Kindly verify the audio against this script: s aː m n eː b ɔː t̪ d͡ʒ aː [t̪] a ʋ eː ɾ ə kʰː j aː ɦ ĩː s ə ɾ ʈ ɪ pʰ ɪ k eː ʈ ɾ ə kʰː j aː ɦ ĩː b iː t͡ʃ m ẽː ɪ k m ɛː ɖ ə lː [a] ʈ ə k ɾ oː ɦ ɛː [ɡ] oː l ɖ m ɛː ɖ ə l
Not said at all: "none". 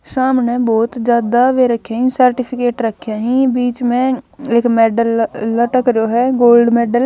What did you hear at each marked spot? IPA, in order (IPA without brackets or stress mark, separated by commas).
d̪, ə, ɡ